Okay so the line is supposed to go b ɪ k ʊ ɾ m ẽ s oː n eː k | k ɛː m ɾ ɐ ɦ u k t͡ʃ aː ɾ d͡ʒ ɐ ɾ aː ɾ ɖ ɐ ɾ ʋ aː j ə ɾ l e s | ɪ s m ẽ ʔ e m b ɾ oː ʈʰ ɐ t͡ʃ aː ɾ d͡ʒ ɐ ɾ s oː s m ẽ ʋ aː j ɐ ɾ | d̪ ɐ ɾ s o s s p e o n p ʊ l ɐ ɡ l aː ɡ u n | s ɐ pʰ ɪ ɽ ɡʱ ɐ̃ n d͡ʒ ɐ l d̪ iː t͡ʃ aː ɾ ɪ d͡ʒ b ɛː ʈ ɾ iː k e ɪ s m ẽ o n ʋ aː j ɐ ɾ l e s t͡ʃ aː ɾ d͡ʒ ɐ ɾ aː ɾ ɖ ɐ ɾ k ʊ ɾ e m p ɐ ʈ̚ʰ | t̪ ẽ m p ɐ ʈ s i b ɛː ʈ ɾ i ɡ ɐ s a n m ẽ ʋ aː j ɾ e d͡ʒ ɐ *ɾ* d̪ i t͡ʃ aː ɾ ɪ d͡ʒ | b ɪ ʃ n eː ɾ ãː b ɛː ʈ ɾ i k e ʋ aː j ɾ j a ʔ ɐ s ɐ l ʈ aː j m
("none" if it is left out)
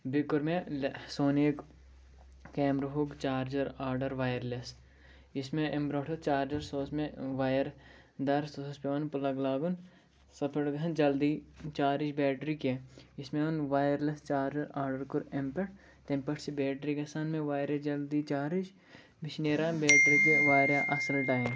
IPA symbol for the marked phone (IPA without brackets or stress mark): l